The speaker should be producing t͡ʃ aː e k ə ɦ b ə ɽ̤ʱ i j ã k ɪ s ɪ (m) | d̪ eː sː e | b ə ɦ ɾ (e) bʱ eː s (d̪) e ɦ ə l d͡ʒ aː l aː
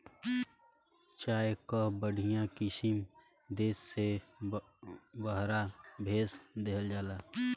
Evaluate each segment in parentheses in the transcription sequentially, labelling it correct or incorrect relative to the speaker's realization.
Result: correct, incorrect: a, correct

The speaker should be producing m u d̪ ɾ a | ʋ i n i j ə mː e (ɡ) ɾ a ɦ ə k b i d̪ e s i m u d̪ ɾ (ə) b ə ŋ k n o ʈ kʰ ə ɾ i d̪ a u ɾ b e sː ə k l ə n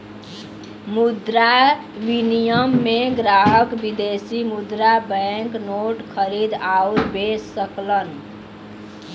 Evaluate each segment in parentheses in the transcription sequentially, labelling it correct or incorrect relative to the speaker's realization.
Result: correct, incorrect: a

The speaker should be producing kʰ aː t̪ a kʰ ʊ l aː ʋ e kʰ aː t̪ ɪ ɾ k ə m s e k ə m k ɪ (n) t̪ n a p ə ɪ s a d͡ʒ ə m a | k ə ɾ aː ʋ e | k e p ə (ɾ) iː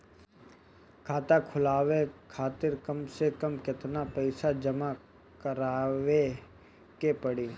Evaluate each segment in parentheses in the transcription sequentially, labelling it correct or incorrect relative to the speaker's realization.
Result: incorrect: none, incorrect: ɽ

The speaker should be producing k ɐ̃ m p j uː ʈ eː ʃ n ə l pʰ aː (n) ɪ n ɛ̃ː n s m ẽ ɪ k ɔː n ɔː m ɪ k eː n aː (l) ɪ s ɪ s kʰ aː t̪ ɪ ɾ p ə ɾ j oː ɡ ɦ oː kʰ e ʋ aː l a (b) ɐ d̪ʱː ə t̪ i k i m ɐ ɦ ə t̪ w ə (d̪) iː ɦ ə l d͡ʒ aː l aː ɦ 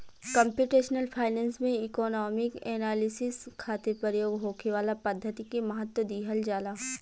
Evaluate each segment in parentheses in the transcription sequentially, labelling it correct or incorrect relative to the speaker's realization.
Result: incorrect: none, correct, incorrect: p, correct

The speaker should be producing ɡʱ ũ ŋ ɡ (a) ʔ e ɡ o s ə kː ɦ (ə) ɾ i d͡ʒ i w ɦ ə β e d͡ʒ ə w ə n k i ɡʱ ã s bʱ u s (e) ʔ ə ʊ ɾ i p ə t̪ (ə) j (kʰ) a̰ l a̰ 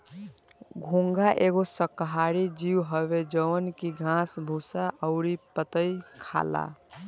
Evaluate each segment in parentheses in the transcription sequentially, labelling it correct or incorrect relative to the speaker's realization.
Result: correct, incorrect: a, incorrect: a, correct, correct

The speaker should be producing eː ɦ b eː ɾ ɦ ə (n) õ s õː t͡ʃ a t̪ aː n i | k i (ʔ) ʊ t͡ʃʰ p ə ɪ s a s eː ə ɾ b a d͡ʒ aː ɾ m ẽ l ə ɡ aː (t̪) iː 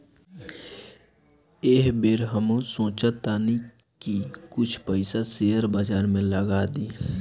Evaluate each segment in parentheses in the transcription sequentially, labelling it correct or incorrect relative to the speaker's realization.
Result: incorrect: m, incorrect: k, incorrect: d̪

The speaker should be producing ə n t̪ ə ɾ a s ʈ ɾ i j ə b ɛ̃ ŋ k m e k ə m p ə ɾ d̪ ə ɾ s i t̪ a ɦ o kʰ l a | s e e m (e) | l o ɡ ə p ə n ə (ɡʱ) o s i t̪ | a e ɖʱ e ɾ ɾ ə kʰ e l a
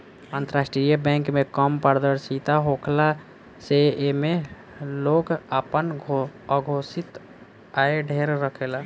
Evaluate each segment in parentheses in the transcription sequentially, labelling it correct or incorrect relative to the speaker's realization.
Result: correct, correct

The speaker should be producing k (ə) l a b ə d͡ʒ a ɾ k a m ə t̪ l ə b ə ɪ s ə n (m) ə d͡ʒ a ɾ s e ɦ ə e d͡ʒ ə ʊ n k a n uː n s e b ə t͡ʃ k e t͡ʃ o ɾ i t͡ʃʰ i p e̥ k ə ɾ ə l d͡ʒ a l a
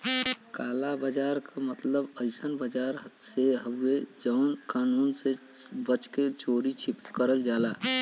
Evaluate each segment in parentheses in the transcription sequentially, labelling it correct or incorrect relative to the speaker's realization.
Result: incorrect: a, incorrect: b

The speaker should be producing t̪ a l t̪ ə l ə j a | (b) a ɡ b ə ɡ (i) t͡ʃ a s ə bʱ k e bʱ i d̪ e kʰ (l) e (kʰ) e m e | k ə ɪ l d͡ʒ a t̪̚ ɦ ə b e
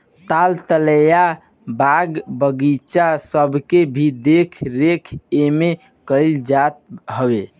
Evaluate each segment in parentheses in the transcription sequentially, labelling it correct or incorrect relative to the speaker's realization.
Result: correct, correct, incorrect: ɾ, correct

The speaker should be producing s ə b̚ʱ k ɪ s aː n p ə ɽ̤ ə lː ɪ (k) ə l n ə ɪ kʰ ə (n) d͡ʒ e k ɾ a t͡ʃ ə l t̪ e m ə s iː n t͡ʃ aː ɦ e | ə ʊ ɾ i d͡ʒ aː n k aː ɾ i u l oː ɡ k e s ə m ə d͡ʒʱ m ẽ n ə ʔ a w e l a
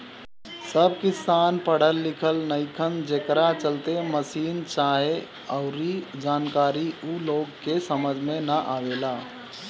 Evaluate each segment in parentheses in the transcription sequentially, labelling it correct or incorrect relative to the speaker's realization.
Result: incorrect: kʰ, correct

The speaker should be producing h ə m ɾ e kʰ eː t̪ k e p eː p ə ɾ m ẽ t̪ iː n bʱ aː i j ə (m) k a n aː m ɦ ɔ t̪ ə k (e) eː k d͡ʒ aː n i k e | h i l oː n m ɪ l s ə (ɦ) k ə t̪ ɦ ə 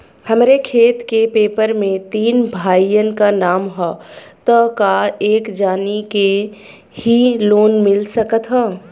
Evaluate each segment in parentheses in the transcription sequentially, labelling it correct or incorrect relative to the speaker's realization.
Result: incorrect: n, incorrect: a, incorrect: none

